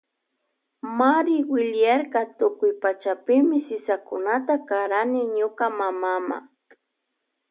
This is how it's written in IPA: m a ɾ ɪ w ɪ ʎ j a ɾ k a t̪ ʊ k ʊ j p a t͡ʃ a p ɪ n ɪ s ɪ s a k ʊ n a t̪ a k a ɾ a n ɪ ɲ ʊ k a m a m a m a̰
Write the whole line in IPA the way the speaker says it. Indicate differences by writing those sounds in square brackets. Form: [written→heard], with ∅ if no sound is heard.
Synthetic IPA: m a ɾ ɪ w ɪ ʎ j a ɾ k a t̪ ʊ k ʊ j p a t͡ʃ a p ɪ [n→m] ɪ s ɪ s a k ʊ n a t̪ a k a ɾ a n ɪ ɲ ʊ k a m a m a m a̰